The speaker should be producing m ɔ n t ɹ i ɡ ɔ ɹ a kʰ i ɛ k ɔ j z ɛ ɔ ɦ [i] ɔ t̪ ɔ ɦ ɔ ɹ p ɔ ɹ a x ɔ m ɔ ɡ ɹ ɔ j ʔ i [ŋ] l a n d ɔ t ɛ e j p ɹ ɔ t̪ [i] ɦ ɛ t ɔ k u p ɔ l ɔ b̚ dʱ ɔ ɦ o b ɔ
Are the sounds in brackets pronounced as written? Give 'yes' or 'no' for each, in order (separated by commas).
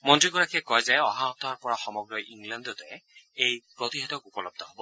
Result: no, yes, yes